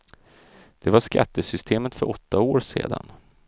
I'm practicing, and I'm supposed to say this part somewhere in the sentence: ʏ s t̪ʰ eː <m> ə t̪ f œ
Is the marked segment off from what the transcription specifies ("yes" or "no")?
no